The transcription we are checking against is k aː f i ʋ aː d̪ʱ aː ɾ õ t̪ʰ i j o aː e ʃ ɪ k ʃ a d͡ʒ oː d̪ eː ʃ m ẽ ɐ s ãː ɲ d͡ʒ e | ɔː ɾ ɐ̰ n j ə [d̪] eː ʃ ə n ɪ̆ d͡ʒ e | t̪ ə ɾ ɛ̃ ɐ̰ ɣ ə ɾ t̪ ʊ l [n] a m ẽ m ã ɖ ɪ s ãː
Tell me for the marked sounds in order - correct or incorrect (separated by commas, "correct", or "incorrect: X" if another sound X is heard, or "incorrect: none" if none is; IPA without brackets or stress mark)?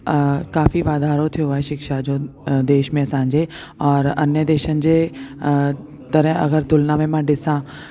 correct, correct